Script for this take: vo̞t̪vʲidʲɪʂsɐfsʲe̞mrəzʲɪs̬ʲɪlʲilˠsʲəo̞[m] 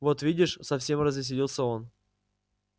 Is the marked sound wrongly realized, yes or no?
yes